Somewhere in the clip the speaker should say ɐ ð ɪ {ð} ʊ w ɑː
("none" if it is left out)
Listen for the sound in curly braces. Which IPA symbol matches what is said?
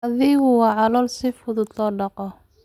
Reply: ɣ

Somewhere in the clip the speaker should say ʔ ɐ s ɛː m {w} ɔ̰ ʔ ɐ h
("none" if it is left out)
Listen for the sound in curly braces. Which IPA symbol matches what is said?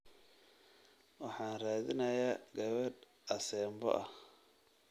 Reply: b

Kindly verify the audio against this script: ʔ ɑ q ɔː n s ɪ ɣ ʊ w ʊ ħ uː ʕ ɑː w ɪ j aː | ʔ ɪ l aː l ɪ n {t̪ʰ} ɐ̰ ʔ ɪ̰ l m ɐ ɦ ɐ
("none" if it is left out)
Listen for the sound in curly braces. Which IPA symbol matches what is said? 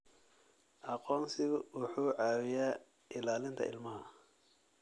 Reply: t̪ʰ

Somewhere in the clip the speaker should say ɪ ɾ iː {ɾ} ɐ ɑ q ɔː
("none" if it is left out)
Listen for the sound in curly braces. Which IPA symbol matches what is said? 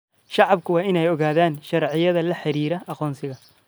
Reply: ɾ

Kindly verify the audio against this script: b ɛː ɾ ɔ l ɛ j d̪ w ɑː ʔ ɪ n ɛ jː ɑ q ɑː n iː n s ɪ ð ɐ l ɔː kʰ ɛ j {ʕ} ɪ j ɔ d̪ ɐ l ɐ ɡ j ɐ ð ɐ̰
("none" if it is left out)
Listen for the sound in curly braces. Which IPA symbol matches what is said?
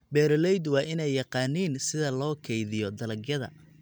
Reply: ð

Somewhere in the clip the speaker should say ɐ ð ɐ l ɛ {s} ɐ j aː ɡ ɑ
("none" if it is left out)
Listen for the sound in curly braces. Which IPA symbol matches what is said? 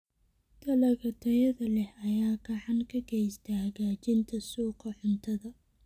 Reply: h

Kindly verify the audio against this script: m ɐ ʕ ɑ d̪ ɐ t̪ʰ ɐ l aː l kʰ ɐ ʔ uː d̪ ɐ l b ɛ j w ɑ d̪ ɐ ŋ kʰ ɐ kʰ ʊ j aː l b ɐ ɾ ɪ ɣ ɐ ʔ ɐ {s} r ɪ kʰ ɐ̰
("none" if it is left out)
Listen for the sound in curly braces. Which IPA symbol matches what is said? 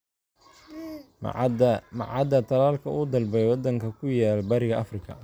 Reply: f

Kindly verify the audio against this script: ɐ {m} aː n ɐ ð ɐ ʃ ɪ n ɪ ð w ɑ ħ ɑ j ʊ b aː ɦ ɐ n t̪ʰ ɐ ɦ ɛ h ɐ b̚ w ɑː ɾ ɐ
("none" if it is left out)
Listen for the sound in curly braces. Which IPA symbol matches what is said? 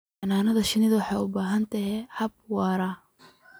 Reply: n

